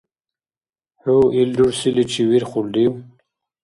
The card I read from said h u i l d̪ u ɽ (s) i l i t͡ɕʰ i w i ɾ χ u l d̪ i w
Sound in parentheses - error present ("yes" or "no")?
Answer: no